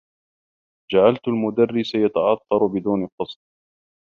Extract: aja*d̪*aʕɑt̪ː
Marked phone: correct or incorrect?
incorrect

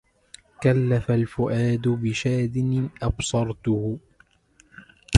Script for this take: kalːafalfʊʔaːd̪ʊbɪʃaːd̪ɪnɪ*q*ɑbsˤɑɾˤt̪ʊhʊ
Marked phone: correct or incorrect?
incorrect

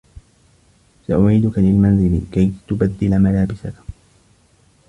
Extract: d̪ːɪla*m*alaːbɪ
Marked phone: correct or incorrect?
correct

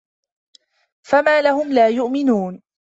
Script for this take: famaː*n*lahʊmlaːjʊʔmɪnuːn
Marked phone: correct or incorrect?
incorrect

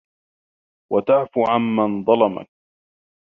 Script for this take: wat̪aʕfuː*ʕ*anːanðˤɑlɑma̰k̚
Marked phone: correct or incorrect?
correct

